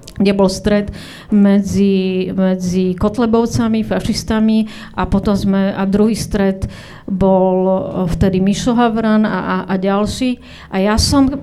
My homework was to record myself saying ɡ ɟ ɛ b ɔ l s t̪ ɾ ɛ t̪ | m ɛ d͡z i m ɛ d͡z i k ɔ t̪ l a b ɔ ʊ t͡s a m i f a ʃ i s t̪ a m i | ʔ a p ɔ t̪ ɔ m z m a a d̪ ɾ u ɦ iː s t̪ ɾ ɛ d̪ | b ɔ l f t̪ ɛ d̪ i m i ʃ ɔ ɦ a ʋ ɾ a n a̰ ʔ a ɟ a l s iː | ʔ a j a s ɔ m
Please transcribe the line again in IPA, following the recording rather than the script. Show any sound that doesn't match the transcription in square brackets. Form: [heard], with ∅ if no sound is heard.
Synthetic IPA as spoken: ɡ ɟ ɛ b ɔ l s t̪ ɾ ɛ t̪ | m ɛ d͡z i m ɛ d͡z i k ɔ t̪ l [ɛ] b ɔ ʊ t͡s a m i f a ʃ i s t̪ a m i | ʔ a p ɔ t̪ ɔ m z m [ɛ] a d̪ ɾ u ɦ iː s t̪ ɾ ɛ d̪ | b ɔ l f t̪ ɛ d̪ i m i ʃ ɔ ɦ a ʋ ɾ a n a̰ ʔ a ɟ a l [ʃ] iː | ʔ a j a s ɔ m